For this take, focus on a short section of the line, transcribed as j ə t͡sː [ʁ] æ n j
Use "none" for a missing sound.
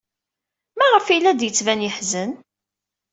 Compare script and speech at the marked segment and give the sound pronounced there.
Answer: v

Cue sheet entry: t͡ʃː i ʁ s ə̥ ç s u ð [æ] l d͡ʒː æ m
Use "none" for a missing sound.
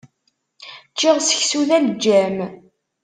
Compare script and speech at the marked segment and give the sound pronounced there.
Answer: æ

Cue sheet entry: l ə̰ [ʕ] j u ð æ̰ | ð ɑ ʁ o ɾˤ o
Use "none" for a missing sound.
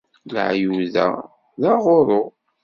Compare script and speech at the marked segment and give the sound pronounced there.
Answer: ʕ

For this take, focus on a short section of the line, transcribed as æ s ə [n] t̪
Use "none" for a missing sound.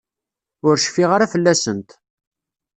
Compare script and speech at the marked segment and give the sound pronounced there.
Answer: n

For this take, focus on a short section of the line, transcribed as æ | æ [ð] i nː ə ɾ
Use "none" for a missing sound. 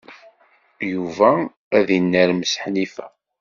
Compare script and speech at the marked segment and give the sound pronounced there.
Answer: ð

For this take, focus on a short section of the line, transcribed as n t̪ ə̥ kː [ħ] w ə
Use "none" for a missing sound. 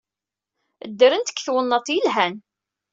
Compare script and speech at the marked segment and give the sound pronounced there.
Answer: θ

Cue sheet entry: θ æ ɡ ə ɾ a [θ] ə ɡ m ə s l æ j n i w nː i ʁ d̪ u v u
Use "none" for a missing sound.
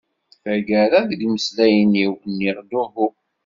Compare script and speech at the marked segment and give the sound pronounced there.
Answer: ð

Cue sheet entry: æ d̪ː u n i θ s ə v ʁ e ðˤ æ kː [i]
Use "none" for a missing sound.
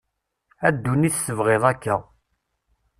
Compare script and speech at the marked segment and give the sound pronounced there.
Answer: æ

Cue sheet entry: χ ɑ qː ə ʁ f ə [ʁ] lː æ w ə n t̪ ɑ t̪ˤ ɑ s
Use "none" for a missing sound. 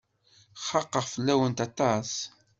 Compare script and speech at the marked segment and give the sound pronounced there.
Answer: none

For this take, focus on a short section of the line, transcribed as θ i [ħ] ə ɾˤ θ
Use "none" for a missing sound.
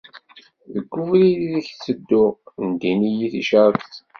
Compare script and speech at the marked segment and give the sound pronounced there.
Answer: ʃ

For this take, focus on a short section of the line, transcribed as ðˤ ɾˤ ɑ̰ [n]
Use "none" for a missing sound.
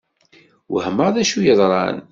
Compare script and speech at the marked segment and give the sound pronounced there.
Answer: n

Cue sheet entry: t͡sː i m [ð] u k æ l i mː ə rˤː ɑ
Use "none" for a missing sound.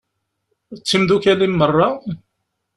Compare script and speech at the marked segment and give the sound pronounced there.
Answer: ð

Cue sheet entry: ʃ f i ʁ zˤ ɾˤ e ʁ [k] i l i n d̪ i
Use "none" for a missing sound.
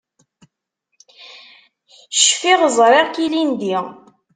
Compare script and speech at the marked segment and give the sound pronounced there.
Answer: k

